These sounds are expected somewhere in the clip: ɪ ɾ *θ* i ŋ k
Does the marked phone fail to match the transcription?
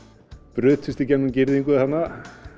yes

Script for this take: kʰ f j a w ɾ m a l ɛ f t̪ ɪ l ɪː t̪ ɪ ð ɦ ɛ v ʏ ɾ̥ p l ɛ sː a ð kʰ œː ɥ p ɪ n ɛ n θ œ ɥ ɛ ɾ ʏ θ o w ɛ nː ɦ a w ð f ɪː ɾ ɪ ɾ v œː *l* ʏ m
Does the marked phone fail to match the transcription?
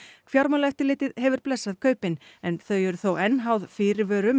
yes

